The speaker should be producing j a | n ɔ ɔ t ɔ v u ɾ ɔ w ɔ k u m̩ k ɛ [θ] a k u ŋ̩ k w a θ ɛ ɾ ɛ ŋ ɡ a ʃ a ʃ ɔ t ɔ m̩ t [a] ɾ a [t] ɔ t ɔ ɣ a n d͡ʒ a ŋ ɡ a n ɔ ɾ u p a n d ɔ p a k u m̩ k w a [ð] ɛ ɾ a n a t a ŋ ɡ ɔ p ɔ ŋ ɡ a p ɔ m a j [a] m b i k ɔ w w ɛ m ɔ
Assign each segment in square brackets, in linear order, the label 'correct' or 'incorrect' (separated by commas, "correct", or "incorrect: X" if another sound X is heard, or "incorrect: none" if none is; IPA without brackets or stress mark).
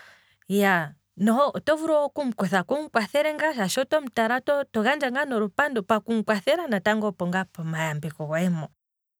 correct, correct, correct, incorrect: θ, correct